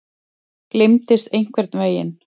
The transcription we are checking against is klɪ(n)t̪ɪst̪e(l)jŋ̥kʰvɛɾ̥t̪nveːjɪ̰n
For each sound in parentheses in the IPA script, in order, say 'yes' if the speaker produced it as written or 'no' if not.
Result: no, no

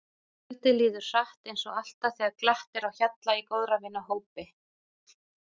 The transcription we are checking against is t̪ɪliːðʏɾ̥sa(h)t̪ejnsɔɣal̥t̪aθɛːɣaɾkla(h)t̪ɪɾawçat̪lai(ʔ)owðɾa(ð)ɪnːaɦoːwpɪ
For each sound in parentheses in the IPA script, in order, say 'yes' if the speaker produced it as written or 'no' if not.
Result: yes, yes, no, no

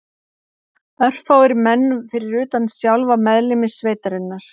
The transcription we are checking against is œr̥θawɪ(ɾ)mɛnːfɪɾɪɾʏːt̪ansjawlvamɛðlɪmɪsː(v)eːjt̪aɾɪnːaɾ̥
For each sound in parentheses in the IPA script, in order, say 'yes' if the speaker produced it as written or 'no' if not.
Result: yes, yes

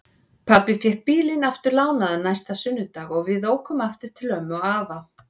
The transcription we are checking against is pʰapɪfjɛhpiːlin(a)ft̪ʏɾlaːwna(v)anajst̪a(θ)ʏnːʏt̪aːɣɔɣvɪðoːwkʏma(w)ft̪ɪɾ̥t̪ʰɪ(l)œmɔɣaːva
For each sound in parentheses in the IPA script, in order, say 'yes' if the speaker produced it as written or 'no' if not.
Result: yes, no, no, no, yes

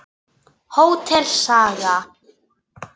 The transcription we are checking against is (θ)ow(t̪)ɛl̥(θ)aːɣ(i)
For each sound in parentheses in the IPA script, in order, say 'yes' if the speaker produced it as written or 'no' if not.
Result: no, no, no, no

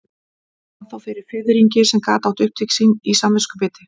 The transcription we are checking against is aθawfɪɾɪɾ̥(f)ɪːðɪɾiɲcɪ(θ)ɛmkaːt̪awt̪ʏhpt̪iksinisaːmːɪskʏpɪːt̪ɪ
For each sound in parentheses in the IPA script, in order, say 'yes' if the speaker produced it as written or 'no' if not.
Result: yes, no

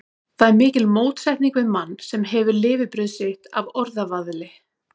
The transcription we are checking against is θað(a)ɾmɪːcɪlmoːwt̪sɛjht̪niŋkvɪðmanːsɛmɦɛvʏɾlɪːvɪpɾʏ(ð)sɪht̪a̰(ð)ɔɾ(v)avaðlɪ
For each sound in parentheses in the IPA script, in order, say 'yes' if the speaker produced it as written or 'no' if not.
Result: no, yes, no, no

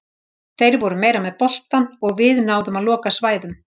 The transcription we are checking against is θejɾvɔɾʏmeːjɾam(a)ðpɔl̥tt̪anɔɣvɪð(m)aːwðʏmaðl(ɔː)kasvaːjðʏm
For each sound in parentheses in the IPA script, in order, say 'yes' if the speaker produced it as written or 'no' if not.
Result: no, no, yes

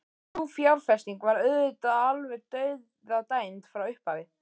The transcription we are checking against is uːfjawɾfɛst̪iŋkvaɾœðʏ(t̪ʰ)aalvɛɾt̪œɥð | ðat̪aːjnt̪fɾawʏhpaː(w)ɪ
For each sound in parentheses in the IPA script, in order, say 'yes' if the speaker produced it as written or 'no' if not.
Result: no, no

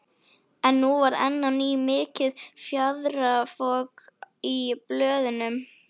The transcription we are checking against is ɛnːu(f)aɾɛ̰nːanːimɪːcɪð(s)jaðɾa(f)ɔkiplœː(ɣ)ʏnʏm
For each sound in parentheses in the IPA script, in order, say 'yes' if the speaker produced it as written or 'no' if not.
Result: no, no, yes, no

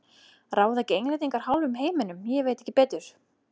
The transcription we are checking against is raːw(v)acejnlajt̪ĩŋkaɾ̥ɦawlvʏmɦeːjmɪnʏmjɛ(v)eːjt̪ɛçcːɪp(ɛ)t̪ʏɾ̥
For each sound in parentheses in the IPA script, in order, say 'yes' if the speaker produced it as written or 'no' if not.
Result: no, yes, no

